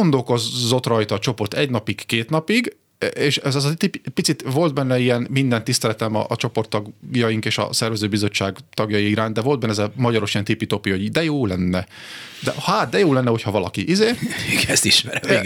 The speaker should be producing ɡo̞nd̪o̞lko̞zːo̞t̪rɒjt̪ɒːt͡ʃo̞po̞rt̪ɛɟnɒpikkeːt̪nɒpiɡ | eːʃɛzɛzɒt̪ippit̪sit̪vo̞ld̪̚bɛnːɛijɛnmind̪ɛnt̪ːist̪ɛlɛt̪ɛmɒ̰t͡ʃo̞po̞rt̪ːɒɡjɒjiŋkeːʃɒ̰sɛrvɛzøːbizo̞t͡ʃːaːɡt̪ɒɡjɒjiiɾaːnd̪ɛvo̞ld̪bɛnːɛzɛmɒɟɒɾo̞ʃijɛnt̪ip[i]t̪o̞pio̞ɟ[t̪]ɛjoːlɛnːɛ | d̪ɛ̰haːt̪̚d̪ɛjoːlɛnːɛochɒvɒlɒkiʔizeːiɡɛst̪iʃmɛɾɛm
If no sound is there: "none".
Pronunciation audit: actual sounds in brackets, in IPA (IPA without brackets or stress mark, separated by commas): i, d̪